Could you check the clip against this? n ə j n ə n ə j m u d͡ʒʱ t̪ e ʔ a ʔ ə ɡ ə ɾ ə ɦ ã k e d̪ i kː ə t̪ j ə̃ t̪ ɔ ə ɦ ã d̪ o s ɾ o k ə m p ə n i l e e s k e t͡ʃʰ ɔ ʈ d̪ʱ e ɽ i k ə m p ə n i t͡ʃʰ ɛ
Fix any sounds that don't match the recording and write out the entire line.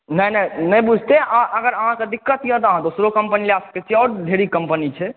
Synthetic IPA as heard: n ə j n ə n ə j b u d͡ʒʱ t̪ e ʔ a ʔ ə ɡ ə ɾ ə ɦ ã k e d̪ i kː ə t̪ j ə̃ t̪ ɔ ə ɦ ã d̪ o s ɾ o k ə m p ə n i l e a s k e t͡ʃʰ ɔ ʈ d̪ʱ e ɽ i k ə m p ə n i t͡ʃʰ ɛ